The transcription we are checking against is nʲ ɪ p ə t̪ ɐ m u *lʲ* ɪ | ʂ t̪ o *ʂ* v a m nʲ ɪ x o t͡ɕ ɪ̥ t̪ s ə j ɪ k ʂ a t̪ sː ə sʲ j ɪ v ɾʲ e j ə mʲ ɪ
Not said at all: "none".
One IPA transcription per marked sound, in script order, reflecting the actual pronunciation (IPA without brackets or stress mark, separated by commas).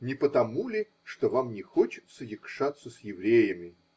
lʲ, none